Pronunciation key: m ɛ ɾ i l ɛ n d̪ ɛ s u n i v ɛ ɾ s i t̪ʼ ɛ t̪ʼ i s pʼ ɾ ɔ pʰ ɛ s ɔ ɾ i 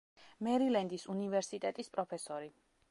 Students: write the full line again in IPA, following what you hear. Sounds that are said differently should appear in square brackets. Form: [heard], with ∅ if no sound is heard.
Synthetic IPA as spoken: m ɛ ɾ i l ɛ n d̪ [i] s u n i v ɛ ɾ s i t̪ʼ ɛ t̪ʼ i s pʼ ɾ ɔ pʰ ɛ s ɔ ɾ i

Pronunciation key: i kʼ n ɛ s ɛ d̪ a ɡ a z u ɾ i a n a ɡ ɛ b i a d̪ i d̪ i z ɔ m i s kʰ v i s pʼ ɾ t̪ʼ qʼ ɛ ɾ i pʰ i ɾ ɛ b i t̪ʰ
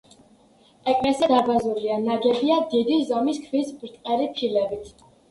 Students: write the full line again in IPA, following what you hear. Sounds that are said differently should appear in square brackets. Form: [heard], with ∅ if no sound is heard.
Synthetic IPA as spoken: [ɛ] kʼ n ɛ s ɛ d̪ a [b] a z u ɾ i a n a ɡ ɛ b i a d̪ i d̪ i z ɔ m i s kʰ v i s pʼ ɾ t̪ʼ qʼ ɛ ɾ i pʰ i [l] ɛ b i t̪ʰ

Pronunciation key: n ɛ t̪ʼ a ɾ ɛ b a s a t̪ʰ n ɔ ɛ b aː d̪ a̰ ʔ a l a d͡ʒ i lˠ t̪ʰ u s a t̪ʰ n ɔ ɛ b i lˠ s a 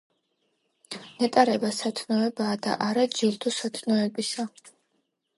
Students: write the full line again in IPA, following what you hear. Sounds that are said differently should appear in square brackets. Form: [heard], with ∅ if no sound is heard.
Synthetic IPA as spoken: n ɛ t̪ʼ a ɾ ɛ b a s a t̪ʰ n ɔ ɛ b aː d̪ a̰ ʔ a [ɾ] a d͡ʒ i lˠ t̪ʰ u s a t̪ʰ n ɔ ɛ b i [∅] s a

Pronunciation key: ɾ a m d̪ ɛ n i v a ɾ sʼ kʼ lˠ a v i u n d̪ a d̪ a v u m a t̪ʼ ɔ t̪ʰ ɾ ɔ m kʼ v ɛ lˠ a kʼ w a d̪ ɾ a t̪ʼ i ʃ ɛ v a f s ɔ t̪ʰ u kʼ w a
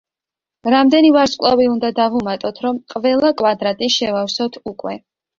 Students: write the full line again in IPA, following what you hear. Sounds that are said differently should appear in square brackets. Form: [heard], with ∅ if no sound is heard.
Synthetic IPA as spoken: ɾ a m d̪ ɛ n i v a ɾ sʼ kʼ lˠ a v i u n d̪ a d̪ a v u m a t̪ʼ ɔ t̪ʰ ɾ ɔ m [qʼ] v ɛ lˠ a kʼ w a d̪ ɾ a t̪ʼ i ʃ ɛ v a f s ɔ t̪ʰ u kʼ w [ɛ]

